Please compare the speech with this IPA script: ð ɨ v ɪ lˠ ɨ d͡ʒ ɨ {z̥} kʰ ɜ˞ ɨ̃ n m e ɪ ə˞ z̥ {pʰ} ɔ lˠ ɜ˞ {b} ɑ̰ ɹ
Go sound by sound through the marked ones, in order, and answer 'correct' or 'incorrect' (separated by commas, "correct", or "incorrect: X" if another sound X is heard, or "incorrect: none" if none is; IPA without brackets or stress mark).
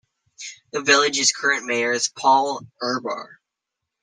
correct, correct, correct